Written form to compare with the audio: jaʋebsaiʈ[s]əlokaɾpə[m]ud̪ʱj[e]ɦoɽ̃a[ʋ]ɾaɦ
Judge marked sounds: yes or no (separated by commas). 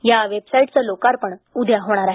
no, no, no, no